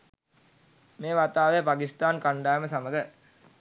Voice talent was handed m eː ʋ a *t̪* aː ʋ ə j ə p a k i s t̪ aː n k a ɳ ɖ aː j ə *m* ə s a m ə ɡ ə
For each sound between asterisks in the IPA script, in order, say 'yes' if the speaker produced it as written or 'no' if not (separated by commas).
yes, yes